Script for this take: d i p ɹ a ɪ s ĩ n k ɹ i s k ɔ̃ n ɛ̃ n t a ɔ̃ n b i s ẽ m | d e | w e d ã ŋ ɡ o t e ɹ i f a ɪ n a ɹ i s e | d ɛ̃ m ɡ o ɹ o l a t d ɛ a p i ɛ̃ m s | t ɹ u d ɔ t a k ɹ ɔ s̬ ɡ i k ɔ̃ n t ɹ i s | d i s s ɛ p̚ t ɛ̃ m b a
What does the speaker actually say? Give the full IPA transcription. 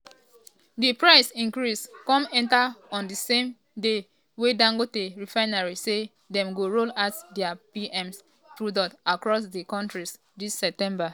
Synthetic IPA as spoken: d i p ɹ a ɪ s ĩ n k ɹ i s k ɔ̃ m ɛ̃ n t a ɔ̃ n d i s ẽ m | d e | w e d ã ŋ ɡ o t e ɹ i f a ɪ n a ɹ i s e | d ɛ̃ m ɡ o ɹ o l a t d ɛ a p i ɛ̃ m s | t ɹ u d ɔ t a k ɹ ɔ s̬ d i k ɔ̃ n t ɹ i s | d i s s ɛ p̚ t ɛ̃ m b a